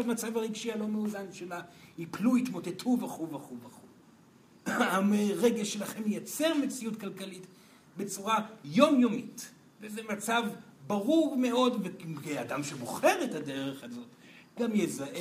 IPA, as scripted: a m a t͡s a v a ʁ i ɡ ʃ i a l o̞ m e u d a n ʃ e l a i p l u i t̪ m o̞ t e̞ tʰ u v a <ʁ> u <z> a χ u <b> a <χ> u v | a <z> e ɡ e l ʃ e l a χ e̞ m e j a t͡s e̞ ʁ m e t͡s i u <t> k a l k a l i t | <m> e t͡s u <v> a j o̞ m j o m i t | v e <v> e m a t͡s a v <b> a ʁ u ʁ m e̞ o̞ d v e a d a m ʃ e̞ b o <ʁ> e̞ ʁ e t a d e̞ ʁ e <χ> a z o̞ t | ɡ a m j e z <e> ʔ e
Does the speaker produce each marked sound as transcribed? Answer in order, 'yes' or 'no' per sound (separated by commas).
no, no, no, yes, no, yes, no, no, no, yes, no, yes, no